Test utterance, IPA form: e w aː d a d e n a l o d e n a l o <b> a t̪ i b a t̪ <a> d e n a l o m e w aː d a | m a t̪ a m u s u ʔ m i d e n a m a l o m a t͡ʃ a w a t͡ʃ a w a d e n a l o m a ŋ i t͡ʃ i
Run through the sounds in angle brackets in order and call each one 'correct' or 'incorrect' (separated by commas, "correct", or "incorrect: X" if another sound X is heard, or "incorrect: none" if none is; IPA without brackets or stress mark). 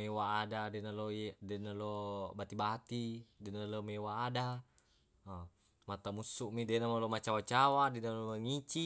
correct, incorrect: i